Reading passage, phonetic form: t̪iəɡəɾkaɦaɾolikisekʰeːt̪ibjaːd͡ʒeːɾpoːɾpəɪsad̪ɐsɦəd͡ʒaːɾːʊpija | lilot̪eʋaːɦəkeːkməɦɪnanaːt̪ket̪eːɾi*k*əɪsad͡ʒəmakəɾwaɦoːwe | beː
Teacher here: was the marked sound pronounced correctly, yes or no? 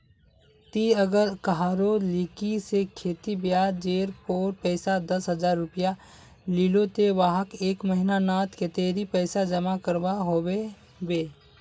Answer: no